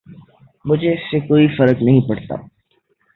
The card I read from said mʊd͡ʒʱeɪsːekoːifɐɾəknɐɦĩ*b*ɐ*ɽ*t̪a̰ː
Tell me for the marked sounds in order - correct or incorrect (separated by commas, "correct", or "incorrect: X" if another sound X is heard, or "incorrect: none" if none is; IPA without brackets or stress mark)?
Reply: incorrect: p, correct